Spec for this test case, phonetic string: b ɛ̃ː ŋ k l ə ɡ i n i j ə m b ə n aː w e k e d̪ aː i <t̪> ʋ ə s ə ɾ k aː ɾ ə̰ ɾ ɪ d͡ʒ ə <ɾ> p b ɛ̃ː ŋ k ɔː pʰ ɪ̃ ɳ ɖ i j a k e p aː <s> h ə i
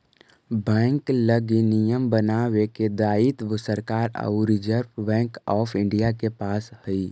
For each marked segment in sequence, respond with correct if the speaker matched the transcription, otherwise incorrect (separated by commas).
correct, correct, correct